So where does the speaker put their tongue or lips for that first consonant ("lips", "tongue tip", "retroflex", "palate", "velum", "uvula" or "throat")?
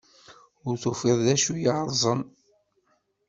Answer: tongue tip